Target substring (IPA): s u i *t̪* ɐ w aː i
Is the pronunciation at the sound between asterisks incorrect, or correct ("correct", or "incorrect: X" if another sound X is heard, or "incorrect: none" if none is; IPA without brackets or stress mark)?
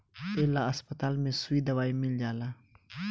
incorrect: d̪